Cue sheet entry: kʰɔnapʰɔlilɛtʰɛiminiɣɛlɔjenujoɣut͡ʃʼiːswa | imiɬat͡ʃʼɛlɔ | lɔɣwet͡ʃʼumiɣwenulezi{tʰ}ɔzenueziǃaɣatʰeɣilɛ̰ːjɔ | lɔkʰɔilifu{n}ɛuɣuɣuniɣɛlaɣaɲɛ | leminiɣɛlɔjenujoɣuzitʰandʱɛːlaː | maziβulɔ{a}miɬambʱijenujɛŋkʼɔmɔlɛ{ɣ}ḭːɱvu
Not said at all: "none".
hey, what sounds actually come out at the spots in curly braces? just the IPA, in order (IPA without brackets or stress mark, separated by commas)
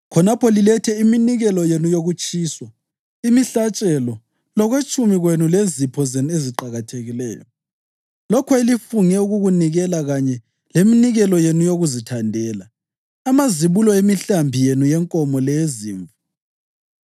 pʰ, ŋ, e, z